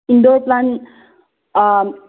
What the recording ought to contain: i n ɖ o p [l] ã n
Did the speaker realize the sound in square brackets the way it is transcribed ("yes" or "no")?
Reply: yes